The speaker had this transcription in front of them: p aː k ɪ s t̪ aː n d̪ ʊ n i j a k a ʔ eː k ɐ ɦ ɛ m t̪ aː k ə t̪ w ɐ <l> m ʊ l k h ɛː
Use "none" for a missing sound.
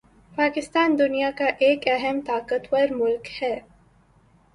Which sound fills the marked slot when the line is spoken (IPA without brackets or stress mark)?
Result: ɾ